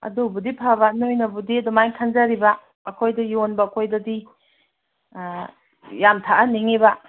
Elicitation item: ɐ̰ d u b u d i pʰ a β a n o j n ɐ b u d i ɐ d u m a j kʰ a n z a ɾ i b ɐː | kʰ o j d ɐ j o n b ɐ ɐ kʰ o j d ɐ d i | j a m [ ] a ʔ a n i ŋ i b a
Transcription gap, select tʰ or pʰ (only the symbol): tʰ